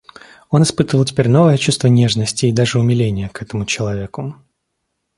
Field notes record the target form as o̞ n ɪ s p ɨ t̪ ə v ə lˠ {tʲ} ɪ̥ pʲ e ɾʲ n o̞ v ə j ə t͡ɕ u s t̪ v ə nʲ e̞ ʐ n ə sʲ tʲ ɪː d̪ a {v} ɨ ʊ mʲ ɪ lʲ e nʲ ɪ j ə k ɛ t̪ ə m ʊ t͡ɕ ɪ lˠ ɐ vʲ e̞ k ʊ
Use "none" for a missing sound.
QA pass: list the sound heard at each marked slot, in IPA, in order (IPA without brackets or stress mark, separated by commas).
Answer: tʲ, ʐ